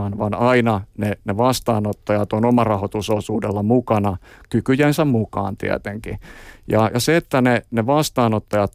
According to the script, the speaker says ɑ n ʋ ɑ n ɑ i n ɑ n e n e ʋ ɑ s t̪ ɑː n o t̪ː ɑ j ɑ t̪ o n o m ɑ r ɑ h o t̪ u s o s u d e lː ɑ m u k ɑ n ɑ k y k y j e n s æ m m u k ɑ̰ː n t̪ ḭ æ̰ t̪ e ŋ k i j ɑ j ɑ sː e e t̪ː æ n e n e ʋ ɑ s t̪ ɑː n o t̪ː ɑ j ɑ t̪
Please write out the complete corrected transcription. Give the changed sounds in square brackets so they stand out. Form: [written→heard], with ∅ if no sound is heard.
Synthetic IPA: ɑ n ʋ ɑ n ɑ i n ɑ n e n e ʋ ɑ s t̪ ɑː n o t̪ː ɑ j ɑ t̪ o n o m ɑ r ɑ h o t̪ u s o s [u→uː] d e lː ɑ m u k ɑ n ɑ k y k y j e n s æ m m u k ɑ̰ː n t̪ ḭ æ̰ t̪ e ŋ k i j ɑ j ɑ [sː→s] e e t̪ː æ n e n e ʋ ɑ s t̪ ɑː n o t̪ː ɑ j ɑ t̪